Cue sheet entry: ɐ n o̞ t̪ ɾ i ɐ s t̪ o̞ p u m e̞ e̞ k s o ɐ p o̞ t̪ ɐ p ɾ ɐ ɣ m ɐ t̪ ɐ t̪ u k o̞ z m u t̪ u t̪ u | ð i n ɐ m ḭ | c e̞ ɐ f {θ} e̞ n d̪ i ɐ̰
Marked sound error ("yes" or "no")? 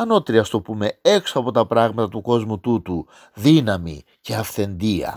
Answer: no